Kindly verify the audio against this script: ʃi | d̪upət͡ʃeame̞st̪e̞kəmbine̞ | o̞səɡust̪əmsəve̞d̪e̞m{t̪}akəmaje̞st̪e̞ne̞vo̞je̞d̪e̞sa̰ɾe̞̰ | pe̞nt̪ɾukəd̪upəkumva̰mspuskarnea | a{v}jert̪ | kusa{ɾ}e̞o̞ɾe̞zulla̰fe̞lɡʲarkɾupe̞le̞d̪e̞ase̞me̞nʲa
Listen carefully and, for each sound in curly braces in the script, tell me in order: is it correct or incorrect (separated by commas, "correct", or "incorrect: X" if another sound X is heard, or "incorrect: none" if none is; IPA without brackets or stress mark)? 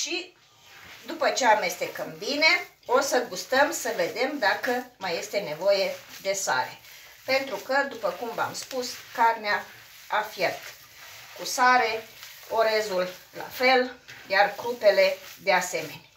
incorrect: d̪, incorrect: f, correct